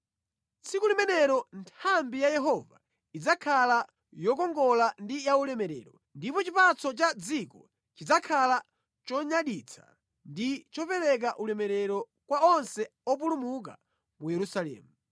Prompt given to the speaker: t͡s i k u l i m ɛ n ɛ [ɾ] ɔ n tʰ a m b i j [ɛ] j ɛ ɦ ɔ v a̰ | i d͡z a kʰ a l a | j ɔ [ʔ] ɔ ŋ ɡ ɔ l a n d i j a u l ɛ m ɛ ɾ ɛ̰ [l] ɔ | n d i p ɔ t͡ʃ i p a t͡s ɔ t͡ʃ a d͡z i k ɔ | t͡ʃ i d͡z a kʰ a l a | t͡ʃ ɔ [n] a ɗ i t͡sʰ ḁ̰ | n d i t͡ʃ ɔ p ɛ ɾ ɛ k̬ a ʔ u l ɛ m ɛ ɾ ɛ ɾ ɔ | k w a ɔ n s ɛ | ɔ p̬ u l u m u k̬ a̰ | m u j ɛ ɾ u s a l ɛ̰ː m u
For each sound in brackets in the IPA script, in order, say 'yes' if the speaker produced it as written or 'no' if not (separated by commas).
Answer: yes, no, no, no, no